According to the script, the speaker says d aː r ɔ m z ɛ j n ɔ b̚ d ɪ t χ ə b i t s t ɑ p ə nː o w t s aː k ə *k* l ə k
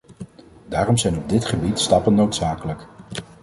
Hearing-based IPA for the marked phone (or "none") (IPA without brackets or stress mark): none